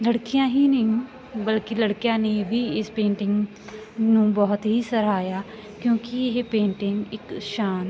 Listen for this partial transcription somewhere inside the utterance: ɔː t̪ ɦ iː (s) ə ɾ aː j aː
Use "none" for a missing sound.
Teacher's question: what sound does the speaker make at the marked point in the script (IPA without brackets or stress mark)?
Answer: s